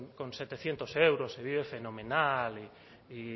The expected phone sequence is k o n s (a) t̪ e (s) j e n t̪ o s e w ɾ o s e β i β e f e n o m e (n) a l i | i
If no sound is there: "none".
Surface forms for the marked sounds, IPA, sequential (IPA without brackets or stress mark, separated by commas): e, θ, n